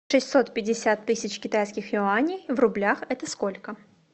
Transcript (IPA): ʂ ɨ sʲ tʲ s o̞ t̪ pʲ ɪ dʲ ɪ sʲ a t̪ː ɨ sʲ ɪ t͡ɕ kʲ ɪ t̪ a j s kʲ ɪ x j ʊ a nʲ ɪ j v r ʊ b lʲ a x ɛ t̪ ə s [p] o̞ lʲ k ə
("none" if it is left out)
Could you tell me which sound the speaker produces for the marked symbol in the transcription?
k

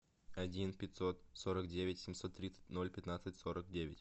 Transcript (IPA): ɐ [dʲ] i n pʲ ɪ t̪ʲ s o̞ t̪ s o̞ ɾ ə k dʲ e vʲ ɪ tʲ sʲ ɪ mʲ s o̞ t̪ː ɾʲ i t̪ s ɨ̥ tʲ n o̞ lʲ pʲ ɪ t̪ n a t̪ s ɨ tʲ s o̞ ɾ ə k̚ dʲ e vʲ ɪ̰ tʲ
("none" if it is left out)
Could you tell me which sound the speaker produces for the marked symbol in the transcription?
dʲ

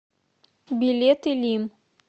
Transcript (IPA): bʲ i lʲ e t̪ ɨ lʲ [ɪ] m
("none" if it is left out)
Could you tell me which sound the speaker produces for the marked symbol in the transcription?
i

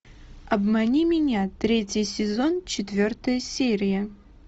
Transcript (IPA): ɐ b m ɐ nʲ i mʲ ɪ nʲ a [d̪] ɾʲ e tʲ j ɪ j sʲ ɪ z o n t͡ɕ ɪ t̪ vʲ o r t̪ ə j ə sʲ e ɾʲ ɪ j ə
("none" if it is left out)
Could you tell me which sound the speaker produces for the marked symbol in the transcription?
t̪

